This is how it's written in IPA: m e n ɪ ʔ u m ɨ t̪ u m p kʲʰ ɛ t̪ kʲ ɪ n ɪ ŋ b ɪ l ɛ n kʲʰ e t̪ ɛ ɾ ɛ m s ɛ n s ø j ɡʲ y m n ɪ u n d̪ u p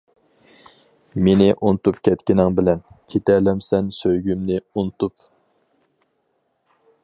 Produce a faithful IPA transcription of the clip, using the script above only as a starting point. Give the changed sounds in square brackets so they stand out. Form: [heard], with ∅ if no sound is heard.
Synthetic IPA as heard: m e n ɪ ʔ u [n] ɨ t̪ u [∅] p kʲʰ ɛ t̪ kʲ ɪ n ɪ ŋ b ɪ l ɛ n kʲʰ e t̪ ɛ [l] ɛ m s ɛ n s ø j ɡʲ y m n ɪ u n [t̪] u p